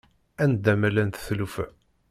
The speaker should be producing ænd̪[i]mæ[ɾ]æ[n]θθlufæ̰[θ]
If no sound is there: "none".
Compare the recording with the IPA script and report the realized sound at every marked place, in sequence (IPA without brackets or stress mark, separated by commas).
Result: æ, l, n, none